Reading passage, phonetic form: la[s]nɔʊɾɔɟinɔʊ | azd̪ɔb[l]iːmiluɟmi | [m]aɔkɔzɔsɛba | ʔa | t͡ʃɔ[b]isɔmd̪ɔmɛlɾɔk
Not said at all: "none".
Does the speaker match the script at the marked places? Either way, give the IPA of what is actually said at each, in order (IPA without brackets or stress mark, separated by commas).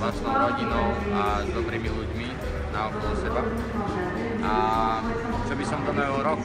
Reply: s, ɾ, n, b